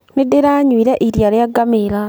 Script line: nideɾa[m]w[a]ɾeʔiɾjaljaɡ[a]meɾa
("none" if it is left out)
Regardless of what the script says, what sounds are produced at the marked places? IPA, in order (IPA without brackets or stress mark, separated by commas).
ɲ, i, a